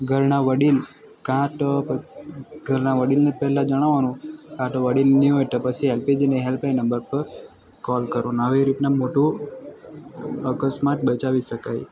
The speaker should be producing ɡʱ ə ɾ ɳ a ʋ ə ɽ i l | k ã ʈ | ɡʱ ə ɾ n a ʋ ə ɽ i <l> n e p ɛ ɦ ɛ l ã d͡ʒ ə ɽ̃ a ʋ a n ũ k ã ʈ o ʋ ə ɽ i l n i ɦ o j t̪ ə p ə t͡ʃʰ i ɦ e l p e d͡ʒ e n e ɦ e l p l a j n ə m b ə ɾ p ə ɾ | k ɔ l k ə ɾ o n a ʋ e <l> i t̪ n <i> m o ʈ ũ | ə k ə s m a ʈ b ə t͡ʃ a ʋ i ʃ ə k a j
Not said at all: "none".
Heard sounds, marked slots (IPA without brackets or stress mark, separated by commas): l, ɾ, a